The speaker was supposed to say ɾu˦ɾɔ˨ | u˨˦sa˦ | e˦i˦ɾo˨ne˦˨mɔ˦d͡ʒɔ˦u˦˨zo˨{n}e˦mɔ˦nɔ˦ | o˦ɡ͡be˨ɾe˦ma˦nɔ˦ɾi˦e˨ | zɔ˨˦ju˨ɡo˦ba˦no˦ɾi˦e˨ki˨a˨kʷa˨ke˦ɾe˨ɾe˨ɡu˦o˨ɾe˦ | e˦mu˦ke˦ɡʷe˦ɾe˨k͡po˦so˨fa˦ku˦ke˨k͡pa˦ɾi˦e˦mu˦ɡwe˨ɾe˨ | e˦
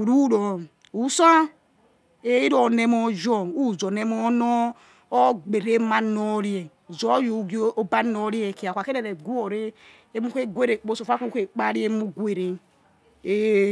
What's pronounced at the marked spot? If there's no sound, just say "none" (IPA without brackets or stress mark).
n